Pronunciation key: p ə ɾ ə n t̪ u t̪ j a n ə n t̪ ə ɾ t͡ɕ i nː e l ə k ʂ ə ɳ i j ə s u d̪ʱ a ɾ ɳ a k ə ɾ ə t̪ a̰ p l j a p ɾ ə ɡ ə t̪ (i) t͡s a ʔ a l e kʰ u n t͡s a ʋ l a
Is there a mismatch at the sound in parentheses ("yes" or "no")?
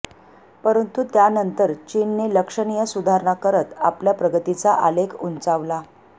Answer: no